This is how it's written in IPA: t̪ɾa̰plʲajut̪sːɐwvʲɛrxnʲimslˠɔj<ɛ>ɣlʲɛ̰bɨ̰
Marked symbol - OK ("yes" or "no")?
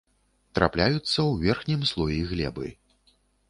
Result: no